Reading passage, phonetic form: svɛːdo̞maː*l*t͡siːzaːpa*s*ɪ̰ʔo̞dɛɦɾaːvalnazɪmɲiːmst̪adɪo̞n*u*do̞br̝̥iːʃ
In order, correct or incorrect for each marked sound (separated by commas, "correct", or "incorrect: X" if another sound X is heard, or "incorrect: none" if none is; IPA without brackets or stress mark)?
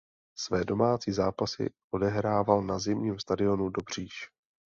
incorrect: none, correct, correct